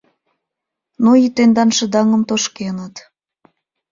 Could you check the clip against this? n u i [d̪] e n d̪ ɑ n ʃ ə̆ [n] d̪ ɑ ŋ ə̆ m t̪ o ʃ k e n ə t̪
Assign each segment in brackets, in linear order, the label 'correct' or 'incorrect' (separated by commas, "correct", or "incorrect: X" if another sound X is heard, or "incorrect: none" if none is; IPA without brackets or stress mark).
incorrect: t̪, incorrect: none